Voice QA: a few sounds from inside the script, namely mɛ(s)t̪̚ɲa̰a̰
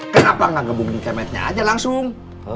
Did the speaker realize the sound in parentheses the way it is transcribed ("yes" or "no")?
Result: no